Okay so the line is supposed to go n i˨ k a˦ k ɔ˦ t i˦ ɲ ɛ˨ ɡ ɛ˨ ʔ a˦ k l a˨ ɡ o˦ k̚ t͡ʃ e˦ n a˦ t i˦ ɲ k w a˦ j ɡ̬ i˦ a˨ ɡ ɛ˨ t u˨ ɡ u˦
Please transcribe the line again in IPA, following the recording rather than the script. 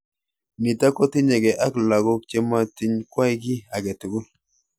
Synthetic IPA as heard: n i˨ t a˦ k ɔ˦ t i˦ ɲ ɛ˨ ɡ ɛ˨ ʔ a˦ k l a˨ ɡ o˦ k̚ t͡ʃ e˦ m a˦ t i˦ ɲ k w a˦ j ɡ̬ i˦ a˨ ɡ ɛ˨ t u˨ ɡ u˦